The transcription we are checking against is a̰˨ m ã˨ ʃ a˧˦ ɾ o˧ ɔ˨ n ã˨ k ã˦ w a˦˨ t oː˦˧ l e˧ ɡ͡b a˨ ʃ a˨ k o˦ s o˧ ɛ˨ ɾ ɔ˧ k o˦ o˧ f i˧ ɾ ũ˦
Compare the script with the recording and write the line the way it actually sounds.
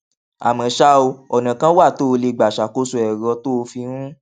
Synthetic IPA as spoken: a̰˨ m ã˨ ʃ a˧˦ o˧ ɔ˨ n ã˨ k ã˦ w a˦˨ t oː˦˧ l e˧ ɡ͡b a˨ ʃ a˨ k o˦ s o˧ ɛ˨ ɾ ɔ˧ t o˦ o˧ f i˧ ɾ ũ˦